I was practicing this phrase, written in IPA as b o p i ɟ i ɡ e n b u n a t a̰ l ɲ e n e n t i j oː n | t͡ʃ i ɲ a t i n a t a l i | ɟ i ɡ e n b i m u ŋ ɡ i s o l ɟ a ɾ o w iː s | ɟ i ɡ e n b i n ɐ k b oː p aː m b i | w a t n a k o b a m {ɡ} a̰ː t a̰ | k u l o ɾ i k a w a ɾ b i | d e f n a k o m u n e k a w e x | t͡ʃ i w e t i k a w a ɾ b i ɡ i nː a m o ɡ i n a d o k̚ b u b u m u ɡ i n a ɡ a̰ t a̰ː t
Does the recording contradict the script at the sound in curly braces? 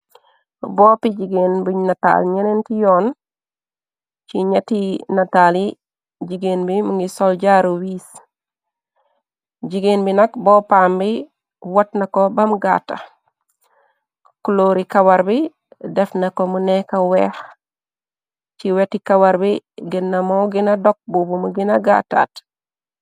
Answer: no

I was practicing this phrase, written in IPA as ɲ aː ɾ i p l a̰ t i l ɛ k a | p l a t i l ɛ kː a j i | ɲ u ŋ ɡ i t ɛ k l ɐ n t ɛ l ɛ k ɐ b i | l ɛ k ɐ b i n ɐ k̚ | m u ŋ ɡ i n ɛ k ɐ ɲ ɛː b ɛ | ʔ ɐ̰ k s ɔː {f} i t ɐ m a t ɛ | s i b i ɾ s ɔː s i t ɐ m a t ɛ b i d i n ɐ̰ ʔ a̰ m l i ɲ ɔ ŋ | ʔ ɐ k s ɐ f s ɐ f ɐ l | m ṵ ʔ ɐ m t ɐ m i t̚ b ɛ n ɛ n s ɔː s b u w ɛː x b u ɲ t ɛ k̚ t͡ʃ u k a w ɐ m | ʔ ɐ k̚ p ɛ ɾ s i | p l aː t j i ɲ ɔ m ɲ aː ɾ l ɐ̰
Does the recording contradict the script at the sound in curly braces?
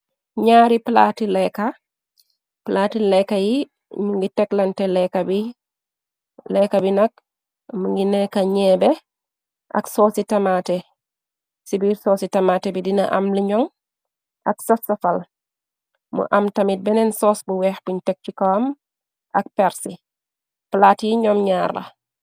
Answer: yes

